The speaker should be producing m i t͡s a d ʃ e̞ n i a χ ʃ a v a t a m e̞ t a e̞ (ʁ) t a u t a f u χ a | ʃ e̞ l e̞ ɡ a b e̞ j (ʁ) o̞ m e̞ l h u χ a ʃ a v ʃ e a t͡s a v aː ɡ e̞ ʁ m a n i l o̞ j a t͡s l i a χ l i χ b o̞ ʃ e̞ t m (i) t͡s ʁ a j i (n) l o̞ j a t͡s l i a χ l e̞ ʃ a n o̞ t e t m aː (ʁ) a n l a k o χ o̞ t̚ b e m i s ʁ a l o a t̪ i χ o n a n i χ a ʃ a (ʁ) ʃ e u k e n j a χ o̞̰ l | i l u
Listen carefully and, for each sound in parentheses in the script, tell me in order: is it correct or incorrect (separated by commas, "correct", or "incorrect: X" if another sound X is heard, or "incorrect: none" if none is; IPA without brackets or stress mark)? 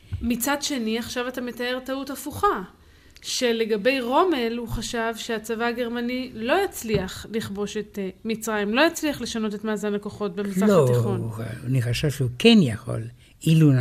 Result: correct, correct, correct, incorrect: m, incorrect: z, incorrect: v